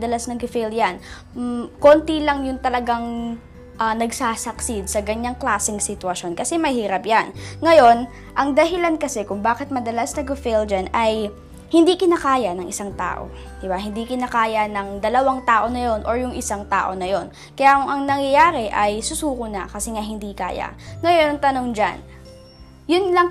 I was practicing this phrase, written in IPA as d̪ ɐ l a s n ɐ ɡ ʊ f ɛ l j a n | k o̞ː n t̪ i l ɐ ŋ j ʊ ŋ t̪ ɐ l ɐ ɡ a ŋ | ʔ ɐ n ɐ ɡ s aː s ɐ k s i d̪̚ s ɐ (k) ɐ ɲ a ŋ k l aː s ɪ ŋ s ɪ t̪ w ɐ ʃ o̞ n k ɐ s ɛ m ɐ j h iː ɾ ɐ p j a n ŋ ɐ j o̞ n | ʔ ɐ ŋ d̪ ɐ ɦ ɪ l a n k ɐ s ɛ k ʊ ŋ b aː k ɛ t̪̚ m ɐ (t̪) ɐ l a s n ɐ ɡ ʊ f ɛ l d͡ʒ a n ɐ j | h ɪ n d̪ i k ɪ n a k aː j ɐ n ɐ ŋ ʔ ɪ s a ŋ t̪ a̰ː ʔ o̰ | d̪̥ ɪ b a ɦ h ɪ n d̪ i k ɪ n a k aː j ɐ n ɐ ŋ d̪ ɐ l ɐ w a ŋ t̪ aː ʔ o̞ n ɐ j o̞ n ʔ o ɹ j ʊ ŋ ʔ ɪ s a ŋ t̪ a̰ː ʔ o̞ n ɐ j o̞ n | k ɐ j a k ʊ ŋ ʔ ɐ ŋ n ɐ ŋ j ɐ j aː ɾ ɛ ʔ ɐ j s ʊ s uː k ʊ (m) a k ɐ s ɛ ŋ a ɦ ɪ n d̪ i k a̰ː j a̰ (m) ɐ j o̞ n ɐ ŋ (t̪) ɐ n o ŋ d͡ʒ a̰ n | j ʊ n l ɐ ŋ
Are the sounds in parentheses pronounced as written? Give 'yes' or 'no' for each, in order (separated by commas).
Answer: no, no, no, no, yes